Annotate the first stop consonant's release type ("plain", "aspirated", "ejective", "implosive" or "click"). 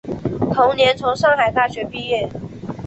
aspirated